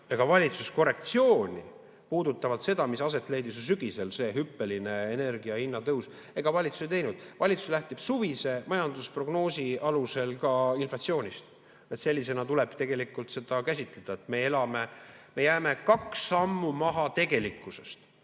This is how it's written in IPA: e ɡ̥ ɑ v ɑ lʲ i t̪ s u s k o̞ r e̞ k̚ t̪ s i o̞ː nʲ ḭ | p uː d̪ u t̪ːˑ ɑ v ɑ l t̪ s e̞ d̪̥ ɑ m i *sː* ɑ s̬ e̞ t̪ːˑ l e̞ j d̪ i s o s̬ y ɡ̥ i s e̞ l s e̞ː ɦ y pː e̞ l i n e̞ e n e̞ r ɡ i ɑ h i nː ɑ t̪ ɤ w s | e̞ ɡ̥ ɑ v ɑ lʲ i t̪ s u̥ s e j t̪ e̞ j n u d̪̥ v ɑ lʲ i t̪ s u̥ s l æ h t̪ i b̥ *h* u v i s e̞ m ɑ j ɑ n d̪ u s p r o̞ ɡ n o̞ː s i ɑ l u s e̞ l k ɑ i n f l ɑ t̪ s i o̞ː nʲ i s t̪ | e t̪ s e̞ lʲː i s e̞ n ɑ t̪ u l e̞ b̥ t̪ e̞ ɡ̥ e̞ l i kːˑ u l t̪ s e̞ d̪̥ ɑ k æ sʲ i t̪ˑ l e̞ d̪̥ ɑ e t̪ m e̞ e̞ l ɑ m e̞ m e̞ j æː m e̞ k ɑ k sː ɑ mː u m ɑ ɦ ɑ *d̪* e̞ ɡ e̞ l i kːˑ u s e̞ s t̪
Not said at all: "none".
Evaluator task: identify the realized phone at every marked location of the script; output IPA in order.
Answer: s, s, t̪

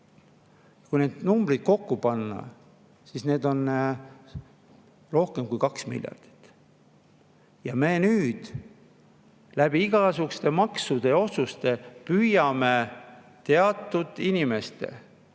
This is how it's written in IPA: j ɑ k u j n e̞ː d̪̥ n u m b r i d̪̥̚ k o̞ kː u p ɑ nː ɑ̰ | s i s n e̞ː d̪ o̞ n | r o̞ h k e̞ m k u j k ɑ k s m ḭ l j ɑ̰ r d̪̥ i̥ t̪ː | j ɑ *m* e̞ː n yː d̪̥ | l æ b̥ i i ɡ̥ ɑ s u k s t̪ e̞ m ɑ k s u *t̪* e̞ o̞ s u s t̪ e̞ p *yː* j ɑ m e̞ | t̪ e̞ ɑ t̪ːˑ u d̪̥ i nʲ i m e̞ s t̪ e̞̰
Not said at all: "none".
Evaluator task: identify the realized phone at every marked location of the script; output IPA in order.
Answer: m, d̪, y

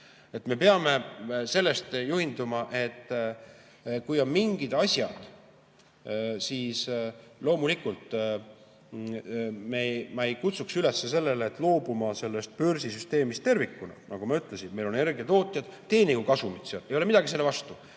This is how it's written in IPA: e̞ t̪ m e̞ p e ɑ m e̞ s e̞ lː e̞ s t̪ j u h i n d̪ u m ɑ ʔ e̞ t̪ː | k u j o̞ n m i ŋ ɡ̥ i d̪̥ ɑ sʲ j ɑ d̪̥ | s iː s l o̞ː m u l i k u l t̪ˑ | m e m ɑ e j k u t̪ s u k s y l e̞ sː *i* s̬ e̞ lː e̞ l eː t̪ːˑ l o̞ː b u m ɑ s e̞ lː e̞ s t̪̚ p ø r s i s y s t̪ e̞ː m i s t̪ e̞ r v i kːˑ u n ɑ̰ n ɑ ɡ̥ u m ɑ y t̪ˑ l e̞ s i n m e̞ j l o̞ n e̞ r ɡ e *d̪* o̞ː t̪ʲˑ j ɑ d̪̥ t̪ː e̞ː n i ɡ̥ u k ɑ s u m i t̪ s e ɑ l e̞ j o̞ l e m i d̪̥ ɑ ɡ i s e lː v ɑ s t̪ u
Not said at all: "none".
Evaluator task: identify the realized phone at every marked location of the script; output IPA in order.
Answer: e, t̪

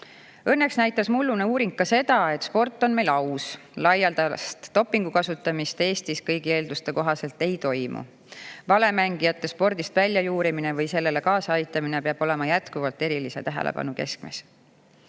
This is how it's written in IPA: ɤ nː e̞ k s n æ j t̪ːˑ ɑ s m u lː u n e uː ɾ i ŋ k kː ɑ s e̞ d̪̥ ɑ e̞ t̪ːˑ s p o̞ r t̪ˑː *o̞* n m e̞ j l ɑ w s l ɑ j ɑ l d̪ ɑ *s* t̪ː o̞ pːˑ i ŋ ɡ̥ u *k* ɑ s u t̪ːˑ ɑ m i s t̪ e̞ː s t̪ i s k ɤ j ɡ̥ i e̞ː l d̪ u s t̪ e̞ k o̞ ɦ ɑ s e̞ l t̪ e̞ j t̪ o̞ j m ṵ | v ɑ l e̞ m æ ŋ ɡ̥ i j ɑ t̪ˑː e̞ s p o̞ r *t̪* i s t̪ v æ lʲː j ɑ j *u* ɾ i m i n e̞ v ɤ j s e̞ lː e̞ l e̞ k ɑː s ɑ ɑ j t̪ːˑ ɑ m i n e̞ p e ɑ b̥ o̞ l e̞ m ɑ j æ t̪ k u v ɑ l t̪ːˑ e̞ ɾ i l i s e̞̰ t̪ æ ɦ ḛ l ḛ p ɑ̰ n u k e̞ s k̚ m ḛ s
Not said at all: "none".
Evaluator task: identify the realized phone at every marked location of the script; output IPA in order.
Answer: o̞, s, k, d̪, uː

